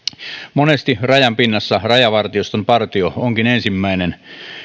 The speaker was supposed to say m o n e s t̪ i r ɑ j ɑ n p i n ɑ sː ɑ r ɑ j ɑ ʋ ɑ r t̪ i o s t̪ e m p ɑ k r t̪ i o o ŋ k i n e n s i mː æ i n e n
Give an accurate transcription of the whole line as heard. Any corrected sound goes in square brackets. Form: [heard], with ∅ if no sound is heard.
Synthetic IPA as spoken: m o n e s t̪ i r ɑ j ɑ [m] p i [nː] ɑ sː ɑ r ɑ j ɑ ʋ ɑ r t̪ i o s t̪ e m p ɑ [∅] r t̪ i o o ŋ k i n e n s i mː æ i n e n